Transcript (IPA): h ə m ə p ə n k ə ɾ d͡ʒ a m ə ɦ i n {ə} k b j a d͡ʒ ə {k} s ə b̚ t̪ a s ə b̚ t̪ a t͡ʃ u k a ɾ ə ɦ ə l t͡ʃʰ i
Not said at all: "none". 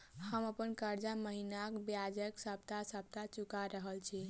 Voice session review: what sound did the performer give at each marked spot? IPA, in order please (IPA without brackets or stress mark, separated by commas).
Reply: a, k